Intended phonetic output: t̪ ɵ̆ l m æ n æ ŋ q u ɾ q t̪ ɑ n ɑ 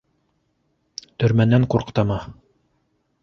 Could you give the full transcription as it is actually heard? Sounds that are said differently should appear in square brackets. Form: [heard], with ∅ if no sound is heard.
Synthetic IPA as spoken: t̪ ɵ̆ [ɾ] m æ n æ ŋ q u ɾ q t̪ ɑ [m] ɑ